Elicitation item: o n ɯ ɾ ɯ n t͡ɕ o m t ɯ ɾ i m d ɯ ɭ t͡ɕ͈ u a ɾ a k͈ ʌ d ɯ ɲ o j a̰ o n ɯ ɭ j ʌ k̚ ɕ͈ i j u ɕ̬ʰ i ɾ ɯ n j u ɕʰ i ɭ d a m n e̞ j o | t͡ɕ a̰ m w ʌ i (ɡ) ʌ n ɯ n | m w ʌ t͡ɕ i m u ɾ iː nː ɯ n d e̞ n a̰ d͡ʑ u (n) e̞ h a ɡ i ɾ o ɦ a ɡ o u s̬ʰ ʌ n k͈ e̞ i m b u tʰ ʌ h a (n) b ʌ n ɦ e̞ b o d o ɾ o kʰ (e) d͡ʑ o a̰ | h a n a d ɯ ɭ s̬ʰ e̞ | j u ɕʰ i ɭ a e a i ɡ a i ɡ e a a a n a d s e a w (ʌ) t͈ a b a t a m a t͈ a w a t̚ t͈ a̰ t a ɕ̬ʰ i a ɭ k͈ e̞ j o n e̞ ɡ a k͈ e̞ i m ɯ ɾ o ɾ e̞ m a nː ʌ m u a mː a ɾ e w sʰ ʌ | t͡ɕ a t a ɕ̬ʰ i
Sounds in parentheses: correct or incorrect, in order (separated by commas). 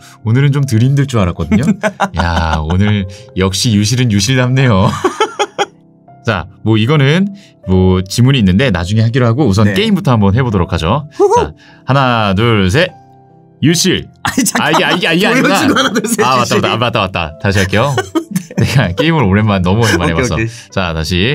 correct, incorrect, incorrect, incorrect, incorrect